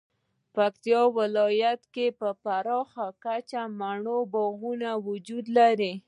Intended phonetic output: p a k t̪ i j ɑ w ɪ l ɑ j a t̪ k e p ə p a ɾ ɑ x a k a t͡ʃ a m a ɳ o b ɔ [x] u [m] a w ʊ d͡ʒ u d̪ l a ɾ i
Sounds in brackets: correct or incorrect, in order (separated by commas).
incorrect, incorrect